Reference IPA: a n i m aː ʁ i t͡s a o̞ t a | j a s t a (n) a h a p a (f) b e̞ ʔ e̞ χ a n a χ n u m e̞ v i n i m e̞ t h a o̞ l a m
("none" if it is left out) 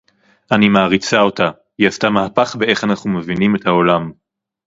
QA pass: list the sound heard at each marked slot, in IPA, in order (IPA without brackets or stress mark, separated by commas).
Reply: m, χ